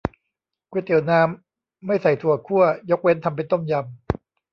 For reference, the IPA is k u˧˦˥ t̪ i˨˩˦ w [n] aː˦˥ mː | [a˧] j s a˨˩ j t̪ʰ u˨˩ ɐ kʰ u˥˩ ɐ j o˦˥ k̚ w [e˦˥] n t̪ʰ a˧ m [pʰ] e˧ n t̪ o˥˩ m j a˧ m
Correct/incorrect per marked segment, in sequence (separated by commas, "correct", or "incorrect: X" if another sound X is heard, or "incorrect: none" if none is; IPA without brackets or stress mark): correct, incorrect: a˥˩, correct, incorrect: p